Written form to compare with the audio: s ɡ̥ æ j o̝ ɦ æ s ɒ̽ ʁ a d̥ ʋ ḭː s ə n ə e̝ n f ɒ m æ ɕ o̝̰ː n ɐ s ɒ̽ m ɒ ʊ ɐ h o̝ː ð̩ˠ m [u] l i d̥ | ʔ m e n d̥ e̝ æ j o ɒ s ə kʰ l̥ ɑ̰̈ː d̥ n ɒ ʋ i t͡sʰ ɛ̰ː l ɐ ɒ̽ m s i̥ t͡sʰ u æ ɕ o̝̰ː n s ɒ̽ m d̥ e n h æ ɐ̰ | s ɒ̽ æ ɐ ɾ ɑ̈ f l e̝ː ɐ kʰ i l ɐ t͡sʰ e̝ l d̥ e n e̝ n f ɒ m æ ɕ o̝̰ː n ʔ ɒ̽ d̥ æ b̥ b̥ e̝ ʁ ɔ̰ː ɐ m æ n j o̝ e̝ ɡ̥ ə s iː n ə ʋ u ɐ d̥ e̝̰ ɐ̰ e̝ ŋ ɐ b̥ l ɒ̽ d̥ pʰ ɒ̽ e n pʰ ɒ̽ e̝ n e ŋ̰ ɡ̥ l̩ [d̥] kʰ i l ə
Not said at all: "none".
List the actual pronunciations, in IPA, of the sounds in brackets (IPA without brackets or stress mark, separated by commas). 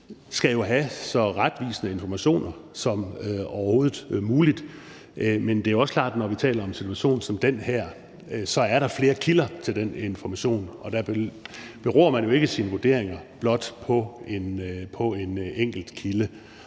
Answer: uː, d̥